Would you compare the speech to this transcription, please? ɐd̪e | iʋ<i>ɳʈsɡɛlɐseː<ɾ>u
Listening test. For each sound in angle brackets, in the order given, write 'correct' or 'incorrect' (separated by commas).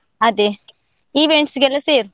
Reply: incorrect, correct